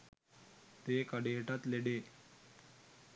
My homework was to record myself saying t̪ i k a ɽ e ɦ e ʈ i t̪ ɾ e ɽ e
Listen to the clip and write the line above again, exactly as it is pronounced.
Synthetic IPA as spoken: t̪ e k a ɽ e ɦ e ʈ a t̪ l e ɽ e

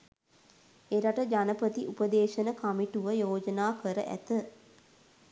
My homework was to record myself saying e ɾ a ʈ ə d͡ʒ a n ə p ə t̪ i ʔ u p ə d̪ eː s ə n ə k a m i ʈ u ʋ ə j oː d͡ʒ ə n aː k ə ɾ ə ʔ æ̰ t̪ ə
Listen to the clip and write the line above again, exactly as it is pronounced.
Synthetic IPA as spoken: e ɾ a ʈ ə d͡ʒ a n ə p ə t̪ i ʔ u p ə d̪ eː ʃ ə n ə k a m i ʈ u ʋ ə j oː d͡ʒ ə n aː k ə ɾ ə ʔ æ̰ t̪ ə

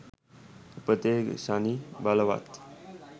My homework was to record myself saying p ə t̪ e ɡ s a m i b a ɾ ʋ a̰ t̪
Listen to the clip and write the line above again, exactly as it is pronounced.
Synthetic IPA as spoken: p ə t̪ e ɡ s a n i b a l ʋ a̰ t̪

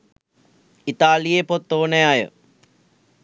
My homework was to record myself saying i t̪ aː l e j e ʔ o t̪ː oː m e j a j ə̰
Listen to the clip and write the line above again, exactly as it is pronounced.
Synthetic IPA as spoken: i t̪ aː l i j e p o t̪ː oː n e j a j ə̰

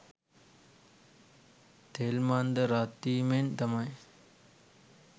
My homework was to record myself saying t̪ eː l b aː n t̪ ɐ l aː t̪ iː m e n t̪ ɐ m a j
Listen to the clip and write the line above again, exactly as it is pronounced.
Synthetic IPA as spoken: t̪ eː l m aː n d̪ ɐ ɾ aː t̪ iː m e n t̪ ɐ m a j

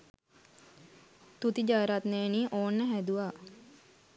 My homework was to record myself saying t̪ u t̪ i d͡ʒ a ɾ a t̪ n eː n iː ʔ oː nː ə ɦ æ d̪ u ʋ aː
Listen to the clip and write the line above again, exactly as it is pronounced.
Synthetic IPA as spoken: t̪ u t̪ i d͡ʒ a ɾ a t̪ n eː n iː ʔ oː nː ə ɦ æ d̪ u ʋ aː

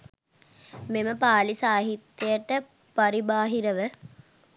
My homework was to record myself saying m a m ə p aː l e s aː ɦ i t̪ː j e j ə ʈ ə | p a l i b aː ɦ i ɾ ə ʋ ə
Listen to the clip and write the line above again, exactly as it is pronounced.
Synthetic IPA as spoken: m e m ə p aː l i s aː ɦ i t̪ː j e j ə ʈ ə | p a ɾ i b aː ɦ i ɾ ə ʋ ə

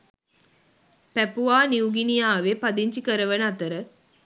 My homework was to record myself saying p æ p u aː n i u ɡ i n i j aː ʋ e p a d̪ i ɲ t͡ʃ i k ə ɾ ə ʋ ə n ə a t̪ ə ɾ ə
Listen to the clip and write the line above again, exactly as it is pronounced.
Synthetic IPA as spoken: p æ p u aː n i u ɡ i n i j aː ʋ e p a d̪ i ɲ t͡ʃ i k ə ɾ ə ʋ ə n ə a t̪ ə ɾ ə

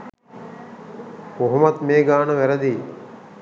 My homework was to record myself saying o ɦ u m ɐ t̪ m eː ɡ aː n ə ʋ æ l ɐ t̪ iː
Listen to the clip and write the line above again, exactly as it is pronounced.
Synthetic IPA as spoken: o ɦ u m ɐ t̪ m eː ɡ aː n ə ʋ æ ɾ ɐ d̪ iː

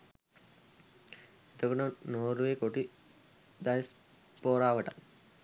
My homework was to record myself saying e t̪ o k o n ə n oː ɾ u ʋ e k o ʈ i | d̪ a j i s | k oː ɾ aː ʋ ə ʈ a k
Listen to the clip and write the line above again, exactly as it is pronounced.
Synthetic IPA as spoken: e t̪ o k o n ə n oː ɾ u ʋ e k o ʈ i | d̪ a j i s | p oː ɾ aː ʋ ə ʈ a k

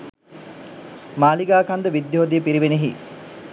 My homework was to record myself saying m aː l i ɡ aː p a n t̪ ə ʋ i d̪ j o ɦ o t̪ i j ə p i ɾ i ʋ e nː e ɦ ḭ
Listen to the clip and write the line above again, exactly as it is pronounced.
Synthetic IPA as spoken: m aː l i ɡ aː k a n d̪ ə ʋ i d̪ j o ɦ o d̪ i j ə p i ɾ i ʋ e n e ɦ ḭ

